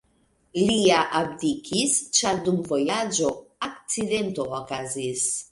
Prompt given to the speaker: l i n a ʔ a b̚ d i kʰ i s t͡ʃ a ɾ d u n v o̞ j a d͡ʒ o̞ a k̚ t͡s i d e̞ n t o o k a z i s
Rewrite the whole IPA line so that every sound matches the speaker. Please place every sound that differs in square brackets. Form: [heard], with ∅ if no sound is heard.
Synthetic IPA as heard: l i [∅] a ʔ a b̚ d i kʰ i s t͡ʃ a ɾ d u [m] v o̞ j a d͡ʒ o̞ a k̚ t͡s i d e̞ n t o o k a z i s